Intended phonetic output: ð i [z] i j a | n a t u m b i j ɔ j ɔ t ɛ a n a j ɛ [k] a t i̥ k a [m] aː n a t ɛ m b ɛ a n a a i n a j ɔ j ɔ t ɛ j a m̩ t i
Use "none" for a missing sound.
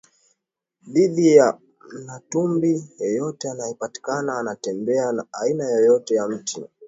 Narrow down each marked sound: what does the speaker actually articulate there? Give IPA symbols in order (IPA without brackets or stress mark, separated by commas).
ð, p, n